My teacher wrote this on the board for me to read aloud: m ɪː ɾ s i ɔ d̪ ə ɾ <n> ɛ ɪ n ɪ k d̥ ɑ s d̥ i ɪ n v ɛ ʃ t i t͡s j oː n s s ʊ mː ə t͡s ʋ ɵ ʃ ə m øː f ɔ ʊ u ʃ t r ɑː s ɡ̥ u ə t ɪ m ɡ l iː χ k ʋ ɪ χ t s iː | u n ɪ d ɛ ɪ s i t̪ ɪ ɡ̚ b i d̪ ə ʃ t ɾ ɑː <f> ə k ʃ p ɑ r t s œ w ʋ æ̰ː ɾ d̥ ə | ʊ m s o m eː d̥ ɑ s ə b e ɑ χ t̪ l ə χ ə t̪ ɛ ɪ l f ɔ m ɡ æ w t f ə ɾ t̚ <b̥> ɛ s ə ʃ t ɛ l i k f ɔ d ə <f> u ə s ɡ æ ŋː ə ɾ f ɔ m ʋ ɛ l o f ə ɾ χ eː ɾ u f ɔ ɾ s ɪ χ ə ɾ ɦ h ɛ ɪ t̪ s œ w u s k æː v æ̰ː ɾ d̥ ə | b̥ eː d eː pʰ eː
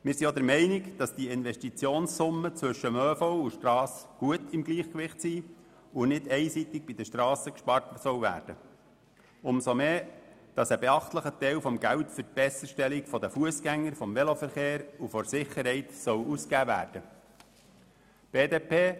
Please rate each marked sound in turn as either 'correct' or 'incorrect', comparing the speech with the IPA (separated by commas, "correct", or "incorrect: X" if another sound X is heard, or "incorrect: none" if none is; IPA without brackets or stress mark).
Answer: incorrect: m, incorrect: s, correct, correct